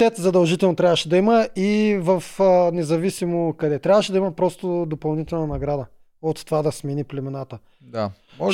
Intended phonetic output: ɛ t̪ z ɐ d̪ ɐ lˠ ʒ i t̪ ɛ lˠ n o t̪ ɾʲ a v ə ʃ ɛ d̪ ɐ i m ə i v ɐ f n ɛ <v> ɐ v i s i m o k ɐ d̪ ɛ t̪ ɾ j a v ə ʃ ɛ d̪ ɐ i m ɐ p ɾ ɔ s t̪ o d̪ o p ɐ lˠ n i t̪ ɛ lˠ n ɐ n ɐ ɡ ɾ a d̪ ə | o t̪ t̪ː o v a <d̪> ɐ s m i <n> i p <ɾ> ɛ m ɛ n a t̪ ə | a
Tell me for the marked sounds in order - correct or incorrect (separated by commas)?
incorrect, correct, correct, incorrect